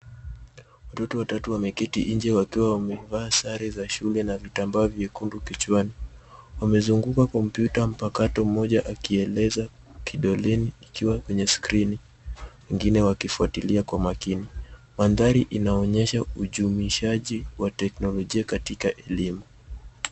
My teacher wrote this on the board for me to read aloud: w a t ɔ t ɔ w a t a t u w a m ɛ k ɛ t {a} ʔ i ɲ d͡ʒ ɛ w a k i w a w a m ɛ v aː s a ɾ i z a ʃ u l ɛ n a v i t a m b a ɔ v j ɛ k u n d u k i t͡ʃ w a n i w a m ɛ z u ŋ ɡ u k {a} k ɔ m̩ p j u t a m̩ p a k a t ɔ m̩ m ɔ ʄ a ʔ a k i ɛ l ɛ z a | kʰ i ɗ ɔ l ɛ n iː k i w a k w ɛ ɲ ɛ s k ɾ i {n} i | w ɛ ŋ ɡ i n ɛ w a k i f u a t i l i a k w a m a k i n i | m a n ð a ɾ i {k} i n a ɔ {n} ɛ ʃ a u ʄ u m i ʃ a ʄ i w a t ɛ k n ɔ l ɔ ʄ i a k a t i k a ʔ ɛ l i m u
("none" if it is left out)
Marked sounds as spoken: i, a, n, ʔ, ɲ

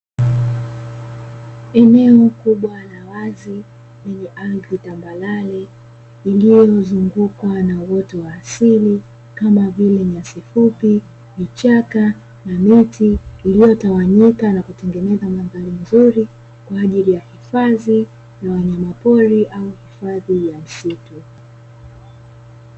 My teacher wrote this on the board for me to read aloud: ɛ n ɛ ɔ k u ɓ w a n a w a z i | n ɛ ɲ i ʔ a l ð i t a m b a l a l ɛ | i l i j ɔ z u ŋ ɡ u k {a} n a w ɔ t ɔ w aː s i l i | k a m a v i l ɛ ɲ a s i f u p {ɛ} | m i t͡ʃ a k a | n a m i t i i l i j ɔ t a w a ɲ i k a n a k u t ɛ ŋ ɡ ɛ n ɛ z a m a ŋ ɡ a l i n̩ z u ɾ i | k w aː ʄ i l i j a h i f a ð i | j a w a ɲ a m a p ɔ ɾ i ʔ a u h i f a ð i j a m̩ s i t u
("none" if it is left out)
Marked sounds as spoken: a, i

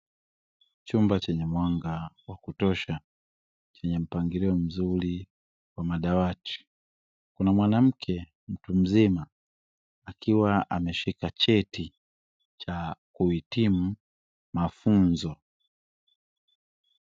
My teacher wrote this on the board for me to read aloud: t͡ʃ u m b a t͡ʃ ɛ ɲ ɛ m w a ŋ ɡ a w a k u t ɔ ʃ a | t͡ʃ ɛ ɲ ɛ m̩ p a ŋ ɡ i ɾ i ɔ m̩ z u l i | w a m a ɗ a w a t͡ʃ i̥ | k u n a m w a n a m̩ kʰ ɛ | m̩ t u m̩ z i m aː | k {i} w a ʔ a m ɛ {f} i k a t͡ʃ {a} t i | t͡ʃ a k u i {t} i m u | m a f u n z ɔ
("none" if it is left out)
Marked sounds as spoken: i, ʃ, ɛ, t

